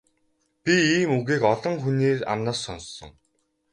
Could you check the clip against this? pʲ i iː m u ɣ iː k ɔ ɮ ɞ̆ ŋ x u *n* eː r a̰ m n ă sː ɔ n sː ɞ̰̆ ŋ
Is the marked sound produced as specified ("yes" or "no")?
yes